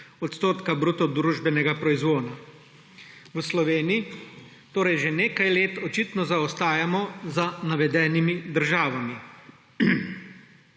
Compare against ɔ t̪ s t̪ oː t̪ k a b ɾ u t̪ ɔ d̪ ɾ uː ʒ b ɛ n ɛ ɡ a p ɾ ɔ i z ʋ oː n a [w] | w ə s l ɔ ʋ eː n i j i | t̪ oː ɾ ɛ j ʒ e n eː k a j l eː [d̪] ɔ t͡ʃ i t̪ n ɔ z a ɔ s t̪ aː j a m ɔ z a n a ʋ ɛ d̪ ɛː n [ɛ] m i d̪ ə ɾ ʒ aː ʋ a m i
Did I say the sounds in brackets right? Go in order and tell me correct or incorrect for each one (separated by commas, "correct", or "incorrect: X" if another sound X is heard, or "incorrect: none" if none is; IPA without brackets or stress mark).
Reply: incorrect: none, incorrect: t̪, incorrect: i